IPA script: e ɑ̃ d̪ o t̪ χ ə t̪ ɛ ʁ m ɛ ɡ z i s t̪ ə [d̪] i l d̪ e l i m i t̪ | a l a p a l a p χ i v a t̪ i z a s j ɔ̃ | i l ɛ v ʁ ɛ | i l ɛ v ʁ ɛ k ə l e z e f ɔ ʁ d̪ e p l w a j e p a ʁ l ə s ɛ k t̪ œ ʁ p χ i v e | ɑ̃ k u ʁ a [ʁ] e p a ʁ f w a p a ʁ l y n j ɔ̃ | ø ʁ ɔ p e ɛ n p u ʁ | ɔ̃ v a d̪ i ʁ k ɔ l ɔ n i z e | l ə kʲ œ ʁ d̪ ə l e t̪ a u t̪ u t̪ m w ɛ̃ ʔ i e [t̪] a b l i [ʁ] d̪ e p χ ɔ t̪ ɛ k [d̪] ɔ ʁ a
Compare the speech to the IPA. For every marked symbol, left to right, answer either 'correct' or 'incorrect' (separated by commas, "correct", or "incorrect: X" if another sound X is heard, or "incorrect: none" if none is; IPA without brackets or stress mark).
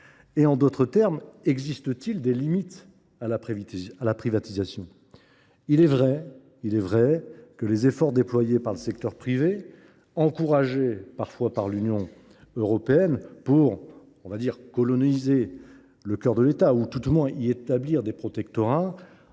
incorrect: t̪, incorrect: ʒ, correct, correct, incorrect: t̪